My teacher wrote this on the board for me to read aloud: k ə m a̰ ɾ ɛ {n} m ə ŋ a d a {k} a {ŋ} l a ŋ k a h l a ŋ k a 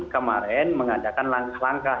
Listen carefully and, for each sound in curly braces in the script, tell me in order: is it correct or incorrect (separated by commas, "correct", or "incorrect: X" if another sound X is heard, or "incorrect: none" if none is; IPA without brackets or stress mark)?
correct, correct, incorrect: n